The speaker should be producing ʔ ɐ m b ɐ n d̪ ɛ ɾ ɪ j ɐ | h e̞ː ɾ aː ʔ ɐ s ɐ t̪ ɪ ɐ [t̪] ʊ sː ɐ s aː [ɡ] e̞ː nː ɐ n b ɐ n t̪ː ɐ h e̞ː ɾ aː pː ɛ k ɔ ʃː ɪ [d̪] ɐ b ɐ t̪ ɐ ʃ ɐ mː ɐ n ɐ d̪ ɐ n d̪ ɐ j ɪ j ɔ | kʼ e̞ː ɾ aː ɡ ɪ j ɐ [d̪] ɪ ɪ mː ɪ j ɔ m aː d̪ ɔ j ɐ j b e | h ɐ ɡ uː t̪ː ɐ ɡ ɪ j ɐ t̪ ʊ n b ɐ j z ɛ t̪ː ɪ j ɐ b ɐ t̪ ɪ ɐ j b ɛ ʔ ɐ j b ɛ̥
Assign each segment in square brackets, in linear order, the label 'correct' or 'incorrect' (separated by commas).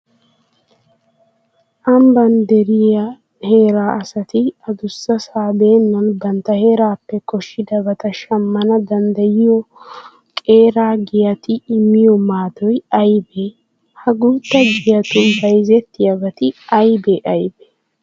incorrect, incorrect, correct, incorrect